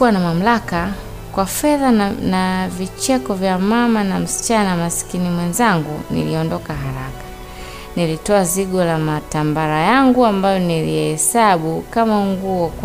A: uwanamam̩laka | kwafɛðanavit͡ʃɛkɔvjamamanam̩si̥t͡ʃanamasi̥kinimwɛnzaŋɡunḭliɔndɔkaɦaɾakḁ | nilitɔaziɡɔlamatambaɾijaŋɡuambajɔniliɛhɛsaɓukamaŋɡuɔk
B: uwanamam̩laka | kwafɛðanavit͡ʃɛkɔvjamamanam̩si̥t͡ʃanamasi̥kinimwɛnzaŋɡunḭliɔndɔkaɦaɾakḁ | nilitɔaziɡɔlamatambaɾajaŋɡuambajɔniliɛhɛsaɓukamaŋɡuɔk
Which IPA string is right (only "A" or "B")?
B